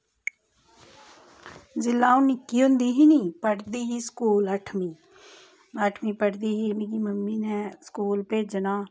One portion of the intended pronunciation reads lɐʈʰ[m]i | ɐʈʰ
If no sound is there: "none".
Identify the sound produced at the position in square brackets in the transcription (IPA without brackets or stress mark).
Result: m